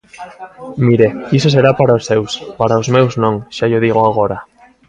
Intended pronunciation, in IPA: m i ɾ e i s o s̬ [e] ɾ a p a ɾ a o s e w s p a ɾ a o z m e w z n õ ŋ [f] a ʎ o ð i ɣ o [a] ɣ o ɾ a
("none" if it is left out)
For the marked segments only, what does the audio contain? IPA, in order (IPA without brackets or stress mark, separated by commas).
e, ʃ, a